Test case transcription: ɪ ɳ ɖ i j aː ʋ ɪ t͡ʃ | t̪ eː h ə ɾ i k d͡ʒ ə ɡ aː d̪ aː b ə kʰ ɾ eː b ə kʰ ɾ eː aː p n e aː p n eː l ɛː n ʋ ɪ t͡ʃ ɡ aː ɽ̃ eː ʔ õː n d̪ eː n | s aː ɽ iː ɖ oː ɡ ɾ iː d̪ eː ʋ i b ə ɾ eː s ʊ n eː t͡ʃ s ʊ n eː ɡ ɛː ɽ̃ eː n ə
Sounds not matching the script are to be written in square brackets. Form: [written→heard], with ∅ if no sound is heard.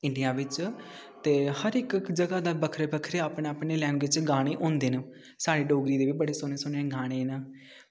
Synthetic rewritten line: ɪ ɳ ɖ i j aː ʋ ɪ t͡ʃ | t̪ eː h ə ɾ [i→ɪ] k d͡ʒ ə ɡ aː d̪ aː b ə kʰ ɾ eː b ə kʰ ɾ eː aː p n e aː p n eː l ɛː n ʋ ɪ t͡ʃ ɡ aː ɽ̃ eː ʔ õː n d̪ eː n | s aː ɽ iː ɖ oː ɡ ɾ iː d̪ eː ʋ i b ə [ɾ→ɽ] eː s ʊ n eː [t͡ʃ→∅] s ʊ n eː ɡ [ɛː→aː] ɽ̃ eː n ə